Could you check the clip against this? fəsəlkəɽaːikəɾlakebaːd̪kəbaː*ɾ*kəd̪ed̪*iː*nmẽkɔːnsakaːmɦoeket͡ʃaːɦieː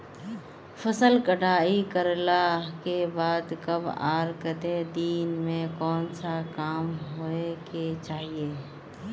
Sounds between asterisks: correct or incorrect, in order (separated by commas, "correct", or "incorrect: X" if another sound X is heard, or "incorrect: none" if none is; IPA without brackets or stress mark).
correct, correct